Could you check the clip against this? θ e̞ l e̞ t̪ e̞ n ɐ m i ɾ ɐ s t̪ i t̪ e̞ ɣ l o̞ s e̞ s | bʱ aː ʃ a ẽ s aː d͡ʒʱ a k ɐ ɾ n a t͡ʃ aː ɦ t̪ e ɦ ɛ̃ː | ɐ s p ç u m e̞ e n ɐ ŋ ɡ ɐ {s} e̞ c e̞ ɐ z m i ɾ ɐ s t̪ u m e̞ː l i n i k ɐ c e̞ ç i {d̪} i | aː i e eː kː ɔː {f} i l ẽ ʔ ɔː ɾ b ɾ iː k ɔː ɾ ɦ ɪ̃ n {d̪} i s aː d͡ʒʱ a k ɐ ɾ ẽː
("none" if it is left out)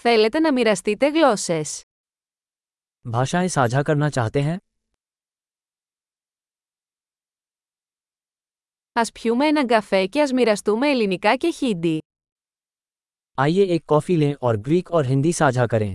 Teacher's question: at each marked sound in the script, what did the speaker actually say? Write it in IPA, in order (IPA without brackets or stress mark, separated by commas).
f, d̪, f, d̪